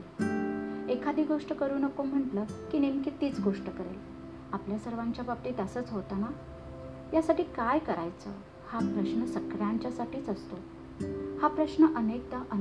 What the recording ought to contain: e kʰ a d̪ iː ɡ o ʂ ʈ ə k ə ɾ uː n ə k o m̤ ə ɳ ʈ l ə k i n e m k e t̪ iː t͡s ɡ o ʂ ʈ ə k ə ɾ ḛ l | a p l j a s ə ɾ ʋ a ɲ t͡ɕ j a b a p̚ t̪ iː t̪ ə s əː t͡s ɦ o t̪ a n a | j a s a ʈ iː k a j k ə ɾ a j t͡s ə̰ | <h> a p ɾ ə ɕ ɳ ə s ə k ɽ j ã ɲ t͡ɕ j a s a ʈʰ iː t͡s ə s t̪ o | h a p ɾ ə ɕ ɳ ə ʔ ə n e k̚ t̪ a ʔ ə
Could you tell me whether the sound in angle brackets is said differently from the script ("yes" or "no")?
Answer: no